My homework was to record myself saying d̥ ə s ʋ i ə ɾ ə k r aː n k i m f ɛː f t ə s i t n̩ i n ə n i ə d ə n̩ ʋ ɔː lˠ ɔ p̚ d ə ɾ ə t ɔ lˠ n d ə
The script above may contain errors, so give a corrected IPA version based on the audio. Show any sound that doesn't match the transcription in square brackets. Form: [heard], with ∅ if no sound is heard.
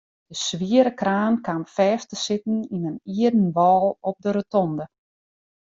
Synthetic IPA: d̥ ə s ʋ i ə ɾ ə k r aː n k [a] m f ɛː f t ə s [ɪ] t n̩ i n ə n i ə d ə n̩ ʋ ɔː lˠ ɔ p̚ d ə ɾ ə t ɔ [∅] n d ə